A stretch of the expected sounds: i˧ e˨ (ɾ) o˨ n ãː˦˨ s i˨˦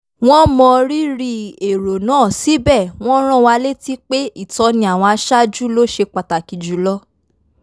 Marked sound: correct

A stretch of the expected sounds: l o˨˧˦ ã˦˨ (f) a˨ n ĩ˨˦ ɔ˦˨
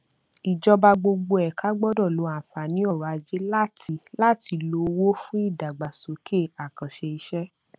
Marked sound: correct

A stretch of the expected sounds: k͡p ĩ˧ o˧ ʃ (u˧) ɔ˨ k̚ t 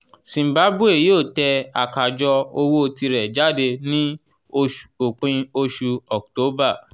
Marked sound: correct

